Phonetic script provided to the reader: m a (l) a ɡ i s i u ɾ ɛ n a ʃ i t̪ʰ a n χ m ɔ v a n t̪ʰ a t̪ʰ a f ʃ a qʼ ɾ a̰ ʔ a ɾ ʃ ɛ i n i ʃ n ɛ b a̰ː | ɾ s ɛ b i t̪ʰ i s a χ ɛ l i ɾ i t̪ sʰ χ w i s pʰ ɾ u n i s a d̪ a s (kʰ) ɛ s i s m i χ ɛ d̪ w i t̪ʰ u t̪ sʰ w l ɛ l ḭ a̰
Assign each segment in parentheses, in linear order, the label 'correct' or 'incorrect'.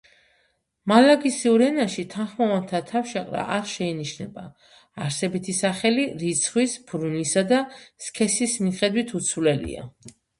correct, correct

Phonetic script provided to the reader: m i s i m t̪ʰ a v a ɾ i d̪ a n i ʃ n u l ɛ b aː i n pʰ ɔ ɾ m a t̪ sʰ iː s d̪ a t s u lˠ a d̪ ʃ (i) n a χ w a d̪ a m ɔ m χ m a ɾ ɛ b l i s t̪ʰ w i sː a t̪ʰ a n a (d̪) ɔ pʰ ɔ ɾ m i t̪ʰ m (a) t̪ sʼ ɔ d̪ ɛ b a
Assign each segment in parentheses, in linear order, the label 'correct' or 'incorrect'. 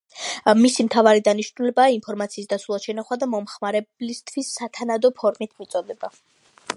incorrect: ɛ, correct, incorrect: i

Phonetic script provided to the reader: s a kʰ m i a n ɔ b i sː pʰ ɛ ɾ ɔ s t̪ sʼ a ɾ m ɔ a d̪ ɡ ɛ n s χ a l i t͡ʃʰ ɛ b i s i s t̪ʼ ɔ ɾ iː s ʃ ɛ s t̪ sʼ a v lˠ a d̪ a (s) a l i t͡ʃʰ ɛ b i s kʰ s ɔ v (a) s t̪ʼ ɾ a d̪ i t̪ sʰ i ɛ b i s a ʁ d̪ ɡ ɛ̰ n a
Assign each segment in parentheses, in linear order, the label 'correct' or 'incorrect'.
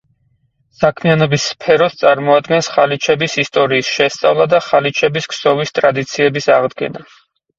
incorrect: χ, incorrect: i

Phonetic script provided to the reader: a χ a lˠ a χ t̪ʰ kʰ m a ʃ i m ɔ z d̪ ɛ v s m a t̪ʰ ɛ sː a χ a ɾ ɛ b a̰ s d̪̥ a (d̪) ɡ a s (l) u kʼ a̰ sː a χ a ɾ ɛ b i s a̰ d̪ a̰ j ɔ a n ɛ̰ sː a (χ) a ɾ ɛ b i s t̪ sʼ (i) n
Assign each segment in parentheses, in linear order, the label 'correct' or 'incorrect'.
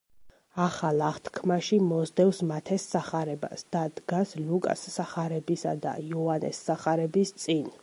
correct, correct, correct, correct

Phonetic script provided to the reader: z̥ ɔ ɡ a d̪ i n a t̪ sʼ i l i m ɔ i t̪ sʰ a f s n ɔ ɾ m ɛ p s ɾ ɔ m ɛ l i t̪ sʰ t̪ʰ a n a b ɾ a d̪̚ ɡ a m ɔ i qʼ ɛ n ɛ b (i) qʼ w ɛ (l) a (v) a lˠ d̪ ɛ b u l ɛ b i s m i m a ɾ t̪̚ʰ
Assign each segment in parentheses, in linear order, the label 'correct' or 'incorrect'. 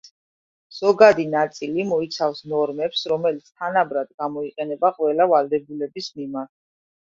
incorrect: a, correct, correct

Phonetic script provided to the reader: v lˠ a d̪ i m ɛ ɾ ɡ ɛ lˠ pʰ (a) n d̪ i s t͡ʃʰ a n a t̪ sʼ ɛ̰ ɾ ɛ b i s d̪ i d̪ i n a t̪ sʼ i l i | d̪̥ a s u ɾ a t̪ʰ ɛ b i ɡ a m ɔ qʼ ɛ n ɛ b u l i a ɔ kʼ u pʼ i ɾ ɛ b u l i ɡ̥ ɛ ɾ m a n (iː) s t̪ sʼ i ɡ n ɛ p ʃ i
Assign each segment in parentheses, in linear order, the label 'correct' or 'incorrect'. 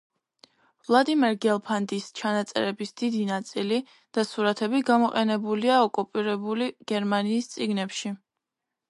correct, correct

